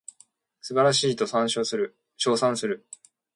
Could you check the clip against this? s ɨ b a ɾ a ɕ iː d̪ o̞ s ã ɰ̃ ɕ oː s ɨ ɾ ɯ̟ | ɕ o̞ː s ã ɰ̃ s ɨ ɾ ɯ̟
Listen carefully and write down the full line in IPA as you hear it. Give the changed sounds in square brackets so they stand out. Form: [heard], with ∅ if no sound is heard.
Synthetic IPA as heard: s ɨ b a ɾ a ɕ iː [t̪] o̞ s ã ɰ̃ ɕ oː s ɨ ɾ ɯ̟ | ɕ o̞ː s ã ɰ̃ s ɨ ɾ ɯ̟